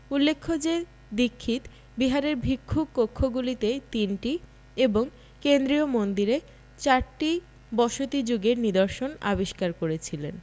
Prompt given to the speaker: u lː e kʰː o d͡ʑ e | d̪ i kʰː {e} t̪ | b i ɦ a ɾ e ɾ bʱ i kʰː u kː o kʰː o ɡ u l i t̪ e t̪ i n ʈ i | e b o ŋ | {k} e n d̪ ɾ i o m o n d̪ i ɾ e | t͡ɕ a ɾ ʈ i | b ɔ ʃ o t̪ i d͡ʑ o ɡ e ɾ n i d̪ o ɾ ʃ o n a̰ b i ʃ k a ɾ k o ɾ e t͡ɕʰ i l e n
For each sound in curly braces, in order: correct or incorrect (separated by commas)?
incorrect, correct